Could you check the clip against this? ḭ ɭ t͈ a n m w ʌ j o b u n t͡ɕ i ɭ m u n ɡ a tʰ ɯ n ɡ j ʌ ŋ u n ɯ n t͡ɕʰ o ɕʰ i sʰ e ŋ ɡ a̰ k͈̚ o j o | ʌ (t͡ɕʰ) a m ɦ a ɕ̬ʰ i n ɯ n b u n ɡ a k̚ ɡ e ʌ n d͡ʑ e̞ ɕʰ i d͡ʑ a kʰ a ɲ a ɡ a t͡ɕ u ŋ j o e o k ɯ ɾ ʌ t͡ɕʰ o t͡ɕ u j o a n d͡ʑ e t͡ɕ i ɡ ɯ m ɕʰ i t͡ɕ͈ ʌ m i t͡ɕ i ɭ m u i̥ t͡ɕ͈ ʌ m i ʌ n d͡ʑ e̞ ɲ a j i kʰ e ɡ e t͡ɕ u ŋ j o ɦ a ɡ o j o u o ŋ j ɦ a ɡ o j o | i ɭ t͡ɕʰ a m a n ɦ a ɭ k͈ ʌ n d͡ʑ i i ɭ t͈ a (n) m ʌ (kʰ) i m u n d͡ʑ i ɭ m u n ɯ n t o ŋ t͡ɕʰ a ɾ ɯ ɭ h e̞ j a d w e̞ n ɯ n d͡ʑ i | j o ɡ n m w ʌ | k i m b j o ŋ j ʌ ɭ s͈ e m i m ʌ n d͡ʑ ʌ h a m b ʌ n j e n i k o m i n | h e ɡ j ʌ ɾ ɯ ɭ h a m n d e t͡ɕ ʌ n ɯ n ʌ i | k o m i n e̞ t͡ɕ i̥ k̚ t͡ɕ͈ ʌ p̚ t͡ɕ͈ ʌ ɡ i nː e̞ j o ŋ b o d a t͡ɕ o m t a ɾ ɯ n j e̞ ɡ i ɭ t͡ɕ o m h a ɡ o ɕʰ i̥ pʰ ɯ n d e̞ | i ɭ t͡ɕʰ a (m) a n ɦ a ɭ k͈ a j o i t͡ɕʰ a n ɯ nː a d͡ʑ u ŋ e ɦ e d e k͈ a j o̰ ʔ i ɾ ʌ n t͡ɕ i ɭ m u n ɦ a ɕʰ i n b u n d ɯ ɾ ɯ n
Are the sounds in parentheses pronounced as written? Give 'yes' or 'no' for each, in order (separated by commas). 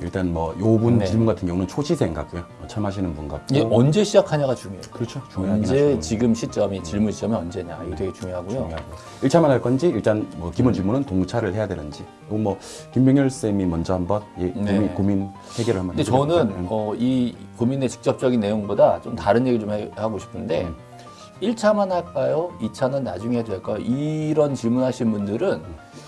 yes, yes, no, yes